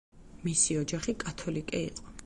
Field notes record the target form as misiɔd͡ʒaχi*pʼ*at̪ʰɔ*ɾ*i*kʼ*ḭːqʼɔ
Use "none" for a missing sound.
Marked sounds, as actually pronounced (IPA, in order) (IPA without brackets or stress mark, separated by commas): kʼ, l, kʼ